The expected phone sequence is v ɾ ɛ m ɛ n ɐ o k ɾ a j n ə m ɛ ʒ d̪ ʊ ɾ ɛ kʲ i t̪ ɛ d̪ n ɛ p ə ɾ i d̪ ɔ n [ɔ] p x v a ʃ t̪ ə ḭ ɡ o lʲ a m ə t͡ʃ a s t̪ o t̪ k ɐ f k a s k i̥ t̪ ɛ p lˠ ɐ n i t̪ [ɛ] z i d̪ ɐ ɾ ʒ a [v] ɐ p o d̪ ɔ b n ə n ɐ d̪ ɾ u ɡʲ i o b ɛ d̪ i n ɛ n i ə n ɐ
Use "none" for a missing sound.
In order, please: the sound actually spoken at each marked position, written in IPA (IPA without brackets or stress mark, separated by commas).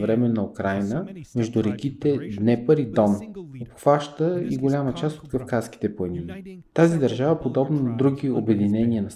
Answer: o, a, v